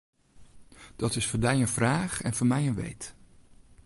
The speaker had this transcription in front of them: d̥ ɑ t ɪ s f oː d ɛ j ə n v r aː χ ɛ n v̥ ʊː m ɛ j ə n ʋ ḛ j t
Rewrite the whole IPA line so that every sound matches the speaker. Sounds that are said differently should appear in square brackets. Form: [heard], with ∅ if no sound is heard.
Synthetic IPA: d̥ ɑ t ɪ s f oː d ɛ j ə n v r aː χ ɛ n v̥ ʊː m ɛ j ə n ʋ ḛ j t